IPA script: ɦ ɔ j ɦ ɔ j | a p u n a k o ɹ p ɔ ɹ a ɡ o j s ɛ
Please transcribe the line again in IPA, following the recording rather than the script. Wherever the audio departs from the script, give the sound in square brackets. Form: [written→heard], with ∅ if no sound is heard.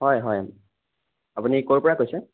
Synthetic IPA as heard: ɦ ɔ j ɦ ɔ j | a p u n [a→i] k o ɹ p ɔ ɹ a [ɡ→k] o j s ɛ